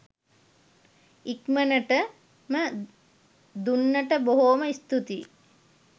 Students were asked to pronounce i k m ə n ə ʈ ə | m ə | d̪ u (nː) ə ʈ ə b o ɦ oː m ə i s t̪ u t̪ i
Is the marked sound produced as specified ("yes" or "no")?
yes